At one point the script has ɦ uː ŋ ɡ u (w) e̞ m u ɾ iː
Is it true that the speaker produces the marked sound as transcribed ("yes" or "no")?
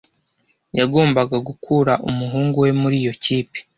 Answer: yes